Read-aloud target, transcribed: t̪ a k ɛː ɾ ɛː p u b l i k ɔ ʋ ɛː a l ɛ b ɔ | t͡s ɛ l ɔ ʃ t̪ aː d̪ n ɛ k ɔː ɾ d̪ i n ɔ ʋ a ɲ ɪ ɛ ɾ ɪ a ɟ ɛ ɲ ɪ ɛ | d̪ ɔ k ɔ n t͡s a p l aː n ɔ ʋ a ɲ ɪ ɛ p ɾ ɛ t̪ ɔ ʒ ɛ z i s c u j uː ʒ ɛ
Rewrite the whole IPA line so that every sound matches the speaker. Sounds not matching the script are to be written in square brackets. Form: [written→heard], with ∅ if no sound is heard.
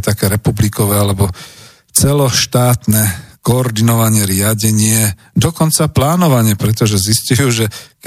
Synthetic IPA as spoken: t̪ a k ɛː ɾ [ɛː→ɛ] p u b l i k ɔ ʋ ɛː a l ɛ b ɔ | t͡s ɛ l ɔ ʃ t̪ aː [d̪→t̪] n ɛ k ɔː ɾ d̪ i n ɔ ʋ a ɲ ɪ ɛ ɾ ɪ a ɟ ɛ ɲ ɪ ɛ | d̪ ɔ k ɔ n t͡s a p l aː n ɔ ʋ a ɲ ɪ ɛ p ɾ ɛ t̪ ɔ ʒ ɛ z i s c u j uː ʒ ɛ